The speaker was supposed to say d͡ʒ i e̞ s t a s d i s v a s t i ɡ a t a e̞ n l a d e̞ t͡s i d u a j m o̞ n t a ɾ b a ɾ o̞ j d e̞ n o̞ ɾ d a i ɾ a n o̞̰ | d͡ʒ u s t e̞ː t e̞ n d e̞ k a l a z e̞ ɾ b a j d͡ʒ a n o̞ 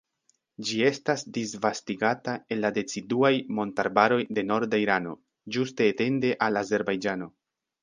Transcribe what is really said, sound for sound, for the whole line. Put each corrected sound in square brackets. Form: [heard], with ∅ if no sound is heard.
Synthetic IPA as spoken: d͡ʒ i e̞ s t a s d i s v a s t i ɡ a t a e̞ n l a d e̞ t͡s i d u a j m o̞ n t a ɾ b a ɾ o̞ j d e̞ n o̞ ɾ d a i ɾ a n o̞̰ | d͡ʒ u s t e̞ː t e̞ n d e̞ [ʔ] a l a z e̞ ɾ b a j d͡ʒ a n o̞